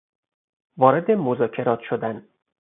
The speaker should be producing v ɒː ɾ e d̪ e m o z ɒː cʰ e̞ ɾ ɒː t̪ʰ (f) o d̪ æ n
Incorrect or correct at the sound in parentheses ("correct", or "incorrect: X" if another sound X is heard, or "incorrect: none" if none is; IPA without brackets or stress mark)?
incorrect: ʃ